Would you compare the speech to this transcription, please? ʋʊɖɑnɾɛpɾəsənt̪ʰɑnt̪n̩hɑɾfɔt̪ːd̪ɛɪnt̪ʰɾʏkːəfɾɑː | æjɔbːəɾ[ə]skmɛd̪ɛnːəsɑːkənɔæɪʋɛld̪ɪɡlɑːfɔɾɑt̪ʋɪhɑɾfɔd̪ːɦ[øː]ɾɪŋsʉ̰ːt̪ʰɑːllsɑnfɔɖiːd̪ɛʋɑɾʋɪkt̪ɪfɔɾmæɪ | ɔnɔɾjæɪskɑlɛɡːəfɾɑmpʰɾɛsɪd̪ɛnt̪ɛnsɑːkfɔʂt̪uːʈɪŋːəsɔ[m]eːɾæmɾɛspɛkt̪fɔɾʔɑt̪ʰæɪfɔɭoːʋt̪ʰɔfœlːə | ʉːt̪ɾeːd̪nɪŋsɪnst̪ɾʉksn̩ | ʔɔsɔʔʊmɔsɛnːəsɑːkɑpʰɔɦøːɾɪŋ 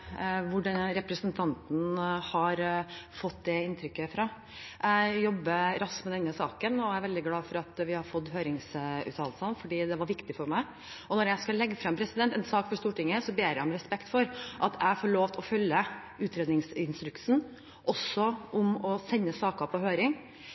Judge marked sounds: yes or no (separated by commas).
no, yes, no